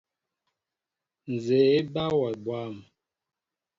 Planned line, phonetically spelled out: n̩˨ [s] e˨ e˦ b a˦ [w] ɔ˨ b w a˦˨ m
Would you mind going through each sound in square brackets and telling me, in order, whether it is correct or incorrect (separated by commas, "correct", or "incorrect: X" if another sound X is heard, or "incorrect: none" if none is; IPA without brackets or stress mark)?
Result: incorrect: z, correct